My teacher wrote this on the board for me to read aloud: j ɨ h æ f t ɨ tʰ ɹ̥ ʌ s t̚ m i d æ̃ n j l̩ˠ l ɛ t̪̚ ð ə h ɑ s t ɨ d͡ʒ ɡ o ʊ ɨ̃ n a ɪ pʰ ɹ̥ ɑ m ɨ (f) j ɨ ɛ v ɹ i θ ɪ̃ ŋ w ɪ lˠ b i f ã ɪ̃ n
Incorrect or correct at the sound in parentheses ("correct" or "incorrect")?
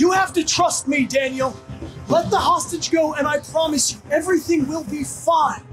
incorrect